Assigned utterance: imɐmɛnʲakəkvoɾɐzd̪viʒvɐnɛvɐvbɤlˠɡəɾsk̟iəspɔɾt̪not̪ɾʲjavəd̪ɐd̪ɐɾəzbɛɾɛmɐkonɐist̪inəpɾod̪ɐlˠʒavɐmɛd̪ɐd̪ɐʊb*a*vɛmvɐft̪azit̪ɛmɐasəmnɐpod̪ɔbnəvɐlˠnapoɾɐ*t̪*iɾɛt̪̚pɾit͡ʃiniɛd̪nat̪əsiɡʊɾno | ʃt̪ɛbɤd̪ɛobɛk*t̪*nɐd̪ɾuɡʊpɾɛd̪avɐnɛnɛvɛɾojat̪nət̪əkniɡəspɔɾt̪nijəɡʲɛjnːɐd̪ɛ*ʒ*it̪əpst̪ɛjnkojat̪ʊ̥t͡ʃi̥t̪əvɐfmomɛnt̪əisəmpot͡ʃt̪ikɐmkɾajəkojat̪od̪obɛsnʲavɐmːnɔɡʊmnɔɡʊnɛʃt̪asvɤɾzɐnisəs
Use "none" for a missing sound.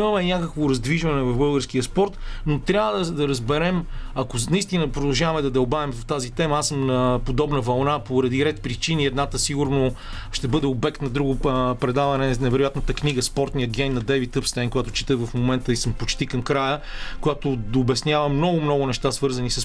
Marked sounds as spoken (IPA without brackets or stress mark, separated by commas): a, d̪, t̪, v